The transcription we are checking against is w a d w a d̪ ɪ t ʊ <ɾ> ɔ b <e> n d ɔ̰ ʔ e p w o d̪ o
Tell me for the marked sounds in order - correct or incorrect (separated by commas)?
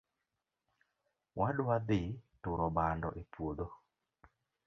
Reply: correct, incorrect